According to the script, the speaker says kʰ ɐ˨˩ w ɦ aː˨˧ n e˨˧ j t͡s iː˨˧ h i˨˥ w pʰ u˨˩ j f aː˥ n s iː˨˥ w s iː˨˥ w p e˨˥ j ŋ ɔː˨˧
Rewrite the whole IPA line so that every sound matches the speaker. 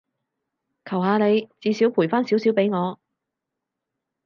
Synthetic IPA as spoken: kʰ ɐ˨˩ w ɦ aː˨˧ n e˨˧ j t͡s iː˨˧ s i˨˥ w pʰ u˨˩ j f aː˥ n s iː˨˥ w s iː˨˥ w p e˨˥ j ŋ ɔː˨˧